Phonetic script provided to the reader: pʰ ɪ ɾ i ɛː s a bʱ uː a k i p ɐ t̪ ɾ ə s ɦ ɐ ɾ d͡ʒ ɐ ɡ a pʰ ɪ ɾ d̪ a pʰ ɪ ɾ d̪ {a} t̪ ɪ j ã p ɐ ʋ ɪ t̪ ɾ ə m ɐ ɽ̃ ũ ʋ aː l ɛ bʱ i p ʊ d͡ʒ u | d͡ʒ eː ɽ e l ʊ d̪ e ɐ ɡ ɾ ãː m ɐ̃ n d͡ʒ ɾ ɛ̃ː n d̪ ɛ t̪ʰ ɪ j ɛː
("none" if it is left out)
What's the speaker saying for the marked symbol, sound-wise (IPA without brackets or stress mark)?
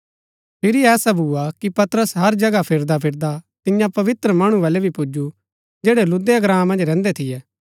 a